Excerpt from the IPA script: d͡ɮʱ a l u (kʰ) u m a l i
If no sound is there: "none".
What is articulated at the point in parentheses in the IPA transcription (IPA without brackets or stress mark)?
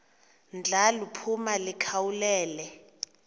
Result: pʰ